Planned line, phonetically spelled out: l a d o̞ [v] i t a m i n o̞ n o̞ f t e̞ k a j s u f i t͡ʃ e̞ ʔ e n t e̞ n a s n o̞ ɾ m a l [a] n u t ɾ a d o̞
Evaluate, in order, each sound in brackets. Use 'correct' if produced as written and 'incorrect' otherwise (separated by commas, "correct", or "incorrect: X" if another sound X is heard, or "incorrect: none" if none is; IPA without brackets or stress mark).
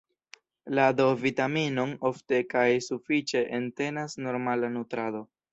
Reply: correct, correct